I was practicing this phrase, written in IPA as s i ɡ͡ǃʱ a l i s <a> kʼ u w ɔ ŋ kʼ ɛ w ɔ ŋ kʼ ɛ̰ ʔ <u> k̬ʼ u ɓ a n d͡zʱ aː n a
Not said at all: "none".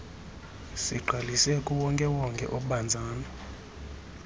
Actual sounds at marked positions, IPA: ɛ, o

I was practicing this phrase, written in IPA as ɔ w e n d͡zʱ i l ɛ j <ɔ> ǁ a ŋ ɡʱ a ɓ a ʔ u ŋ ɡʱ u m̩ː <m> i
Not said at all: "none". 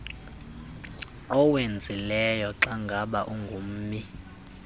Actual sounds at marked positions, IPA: ɔ, m

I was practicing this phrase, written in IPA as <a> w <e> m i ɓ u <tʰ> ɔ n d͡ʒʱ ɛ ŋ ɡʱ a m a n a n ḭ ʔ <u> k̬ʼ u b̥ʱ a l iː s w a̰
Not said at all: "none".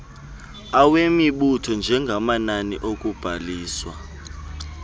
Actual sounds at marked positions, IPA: a, e, tʰ, o

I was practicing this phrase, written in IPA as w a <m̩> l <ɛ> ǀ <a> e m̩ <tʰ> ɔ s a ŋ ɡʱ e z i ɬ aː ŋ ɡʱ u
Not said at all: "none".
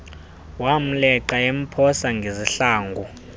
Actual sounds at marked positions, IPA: m̩, ɛ, a, pʰ

